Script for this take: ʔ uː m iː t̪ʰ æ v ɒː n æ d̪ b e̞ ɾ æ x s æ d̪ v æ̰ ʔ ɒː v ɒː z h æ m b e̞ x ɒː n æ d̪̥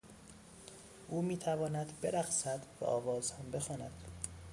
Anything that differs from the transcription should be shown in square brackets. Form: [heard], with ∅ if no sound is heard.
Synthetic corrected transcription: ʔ uː m iː t̪ʰ æ v ɒː n æ d̪ b e̞ ɾ æ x s æ d̪ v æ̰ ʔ ɒː v ɒː z h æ m b e̞ x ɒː n æ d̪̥